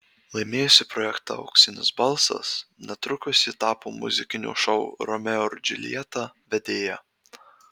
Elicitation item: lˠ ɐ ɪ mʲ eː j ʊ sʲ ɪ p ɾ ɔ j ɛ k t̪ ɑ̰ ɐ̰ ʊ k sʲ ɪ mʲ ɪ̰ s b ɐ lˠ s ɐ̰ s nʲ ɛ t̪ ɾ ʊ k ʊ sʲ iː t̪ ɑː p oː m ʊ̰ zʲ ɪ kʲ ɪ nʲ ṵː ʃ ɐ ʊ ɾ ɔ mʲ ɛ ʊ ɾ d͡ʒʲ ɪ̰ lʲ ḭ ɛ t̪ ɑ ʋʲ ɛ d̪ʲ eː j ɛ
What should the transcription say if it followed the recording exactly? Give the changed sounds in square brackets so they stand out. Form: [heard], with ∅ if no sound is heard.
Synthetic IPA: lˠ ɐ ɪ mʲ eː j ʊ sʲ ɪ p ɾ ɔ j ɛ k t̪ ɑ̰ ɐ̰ ʊ k sʲ ɪ [nʲ] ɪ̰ s b ɐ lˠ s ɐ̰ s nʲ ɛ t̪ ɾ ʊ k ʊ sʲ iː t̪ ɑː p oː m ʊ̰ zʲ ɪ kʲ ɪ nʲ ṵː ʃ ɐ ʊ ɾ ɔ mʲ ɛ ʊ ɾ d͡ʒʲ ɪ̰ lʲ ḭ ɛ t̪ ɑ ʋʲ ɛ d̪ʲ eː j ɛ